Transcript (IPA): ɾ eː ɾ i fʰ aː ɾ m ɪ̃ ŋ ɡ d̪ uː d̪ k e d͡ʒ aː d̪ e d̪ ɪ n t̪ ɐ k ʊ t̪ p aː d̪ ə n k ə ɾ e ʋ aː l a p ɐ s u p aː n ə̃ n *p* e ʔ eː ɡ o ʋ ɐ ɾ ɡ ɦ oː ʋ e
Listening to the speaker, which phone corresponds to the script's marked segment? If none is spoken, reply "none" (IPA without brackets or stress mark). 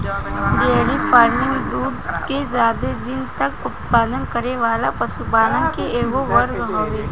k